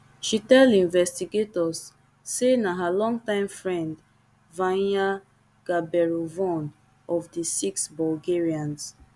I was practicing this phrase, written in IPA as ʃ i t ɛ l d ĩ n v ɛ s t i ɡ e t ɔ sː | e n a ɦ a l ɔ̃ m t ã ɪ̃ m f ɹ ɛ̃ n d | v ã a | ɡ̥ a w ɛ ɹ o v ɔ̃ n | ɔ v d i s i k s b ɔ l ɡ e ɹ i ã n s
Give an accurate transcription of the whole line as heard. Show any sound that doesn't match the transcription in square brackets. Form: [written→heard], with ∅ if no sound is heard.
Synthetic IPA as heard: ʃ i t ɛ l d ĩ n v ɛ s t i ɡ e t ɔ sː | e n a ɦ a l ɔ̃ [m→ŋ] t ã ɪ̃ m f ɹ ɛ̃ n d | v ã a | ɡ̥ a [w→b] ɛ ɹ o v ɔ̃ n | ɔ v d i s i k s b ɔ l ɡ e ɹ i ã n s